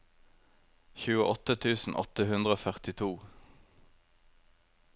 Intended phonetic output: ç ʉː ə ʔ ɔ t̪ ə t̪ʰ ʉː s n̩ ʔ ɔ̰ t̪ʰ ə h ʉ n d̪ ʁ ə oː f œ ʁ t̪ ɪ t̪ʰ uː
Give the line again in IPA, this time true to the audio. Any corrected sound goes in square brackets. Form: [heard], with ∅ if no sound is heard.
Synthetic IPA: ç ʉː ə ʔ ɔ t̪ ə t̪ʰ ʉː s n̩ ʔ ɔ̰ [t̪] ə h ʉ n d̪ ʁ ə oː f œ ʁ t̪ ɪ t̪ʰ uː